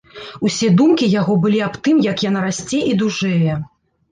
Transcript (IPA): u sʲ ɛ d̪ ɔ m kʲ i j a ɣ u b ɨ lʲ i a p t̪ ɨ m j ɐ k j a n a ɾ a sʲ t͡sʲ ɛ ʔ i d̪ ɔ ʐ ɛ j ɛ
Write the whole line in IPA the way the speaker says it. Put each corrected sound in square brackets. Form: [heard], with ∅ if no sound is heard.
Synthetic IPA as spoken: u sʲ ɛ d̪ [u] m kʲ i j a ɣ [ɔ] b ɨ lʲ i a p t̪ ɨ m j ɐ k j a n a ɾ a sʲ t͡sʲ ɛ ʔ i d̪ [u] ʐ ɛ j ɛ